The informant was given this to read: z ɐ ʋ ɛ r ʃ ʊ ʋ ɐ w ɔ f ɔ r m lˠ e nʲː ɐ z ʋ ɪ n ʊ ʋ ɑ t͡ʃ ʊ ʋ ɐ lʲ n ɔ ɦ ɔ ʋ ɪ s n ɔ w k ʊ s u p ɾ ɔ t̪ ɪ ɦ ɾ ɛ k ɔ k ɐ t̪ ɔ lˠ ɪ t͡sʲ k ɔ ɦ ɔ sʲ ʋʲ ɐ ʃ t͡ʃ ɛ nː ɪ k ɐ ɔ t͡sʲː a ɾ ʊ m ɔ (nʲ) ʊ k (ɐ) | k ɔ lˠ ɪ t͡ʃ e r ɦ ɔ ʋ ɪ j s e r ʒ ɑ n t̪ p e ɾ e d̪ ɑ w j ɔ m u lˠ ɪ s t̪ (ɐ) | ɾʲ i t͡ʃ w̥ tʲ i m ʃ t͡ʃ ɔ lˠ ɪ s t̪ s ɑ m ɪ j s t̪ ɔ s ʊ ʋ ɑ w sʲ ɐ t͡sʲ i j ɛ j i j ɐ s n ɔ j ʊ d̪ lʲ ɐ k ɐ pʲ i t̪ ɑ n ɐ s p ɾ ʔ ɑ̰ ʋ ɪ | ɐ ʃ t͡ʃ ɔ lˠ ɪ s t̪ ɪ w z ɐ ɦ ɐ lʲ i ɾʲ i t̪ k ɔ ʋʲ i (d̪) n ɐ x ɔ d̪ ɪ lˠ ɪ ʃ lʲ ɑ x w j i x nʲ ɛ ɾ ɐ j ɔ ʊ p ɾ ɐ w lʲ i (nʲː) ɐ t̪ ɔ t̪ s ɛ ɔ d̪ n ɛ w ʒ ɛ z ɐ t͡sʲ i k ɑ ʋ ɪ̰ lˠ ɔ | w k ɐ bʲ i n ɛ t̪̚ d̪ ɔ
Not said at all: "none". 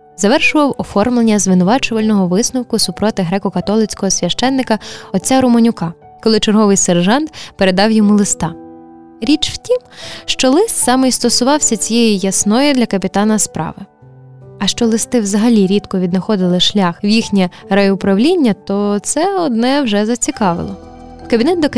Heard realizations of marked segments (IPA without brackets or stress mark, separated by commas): nʲ, ɑ, ɑ, d̪, nʲː